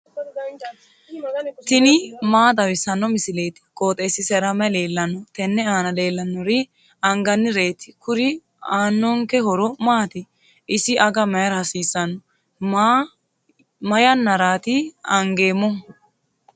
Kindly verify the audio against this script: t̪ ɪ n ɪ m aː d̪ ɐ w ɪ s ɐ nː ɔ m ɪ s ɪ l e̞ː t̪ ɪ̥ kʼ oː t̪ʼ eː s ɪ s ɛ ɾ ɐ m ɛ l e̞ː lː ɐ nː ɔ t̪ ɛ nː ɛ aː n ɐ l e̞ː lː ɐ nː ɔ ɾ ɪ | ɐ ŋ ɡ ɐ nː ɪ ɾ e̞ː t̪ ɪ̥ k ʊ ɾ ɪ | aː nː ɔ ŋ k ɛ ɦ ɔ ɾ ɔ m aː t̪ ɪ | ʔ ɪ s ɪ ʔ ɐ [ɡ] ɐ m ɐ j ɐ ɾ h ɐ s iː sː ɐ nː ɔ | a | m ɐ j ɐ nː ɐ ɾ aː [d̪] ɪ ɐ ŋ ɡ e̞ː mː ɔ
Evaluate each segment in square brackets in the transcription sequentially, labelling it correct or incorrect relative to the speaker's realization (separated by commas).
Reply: correct, incorrect